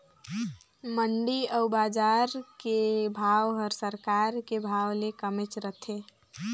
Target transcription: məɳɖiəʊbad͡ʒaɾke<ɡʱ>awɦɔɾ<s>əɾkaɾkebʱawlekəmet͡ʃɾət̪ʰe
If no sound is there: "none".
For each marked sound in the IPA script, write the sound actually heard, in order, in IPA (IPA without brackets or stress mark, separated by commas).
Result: bʱ, s